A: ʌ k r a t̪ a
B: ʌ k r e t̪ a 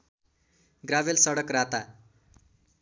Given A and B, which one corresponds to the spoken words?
A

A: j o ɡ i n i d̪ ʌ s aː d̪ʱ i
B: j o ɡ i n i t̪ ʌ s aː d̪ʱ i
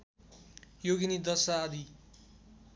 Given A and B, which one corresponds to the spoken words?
A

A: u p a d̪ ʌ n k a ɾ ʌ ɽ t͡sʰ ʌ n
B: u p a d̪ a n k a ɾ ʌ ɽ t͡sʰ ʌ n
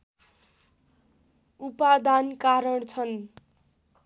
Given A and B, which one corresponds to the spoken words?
B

